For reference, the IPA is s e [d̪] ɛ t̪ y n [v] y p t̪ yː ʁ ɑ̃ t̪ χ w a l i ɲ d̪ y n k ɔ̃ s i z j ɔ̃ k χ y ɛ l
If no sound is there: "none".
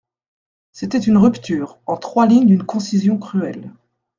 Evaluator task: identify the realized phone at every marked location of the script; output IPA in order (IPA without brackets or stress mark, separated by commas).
t̪, ʁ